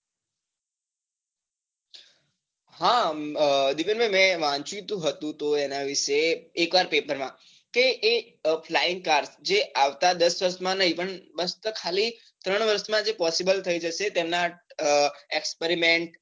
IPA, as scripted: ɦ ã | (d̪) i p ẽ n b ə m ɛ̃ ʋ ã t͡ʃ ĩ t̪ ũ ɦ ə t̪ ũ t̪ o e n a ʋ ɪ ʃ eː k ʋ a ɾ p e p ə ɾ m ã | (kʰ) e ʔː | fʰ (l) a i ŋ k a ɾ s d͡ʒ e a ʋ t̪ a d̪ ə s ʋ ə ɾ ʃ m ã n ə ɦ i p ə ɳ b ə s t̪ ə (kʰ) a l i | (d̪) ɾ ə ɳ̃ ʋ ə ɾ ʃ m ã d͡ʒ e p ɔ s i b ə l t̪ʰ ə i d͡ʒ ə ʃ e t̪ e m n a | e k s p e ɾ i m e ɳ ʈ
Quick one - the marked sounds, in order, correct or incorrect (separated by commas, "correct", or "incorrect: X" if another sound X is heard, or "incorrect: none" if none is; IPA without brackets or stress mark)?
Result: correct, incorrect: k, correct, correct, incorrect: t̪